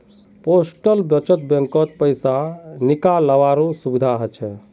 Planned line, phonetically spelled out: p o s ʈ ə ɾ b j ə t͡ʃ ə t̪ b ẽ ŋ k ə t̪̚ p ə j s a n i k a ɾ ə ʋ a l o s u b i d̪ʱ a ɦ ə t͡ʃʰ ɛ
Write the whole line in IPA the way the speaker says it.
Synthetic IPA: p o s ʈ ə l b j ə t͡ʃ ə t̪ b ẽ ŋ k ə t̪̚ p ə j s a n i k a l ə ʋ a ɾ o s u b i d̪ʱ a ɦ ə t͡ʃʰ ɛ